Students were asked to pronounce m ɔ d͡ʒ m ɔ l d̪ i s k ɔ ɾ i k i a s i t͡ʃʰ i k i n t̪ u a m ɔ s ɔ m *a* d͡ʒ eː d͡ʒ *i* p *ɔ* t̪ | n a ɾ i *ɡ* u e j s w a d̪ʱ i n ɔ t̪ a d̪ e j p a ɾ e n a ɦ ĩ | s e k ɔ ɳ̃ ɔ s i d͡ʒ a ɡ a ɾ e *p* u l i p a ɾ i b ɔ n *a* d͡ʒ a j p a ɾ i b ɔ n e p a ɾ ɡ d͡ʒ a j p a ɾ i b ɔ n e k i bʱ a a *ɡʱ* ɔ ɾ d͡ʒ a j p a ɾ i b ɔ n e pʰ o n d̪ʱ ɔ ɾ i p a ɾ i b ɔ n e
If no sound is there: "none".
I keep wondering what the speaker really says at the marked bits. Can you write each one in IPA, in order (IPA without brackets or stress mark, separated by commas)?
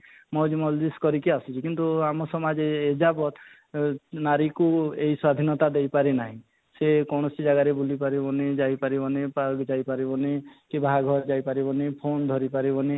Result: a, a, ɔ, k, b, e, ɡʱ